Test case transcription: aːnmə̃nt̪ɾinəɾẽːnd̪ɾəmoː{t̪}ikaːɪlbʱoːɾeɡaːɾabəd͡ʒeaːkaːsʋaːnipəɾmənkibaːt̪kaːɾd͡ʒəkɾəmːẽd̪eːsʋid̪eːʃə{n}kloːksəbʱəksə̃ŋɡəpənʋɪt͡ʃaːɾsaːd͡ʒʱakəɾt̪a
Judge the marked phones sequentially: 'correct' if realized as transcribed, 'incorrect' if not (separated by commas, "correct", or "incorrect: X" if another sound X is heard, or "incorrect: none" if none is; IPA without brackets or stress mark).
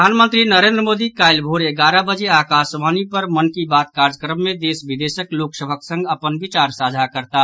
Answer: incorrect: d̪, incorrect: none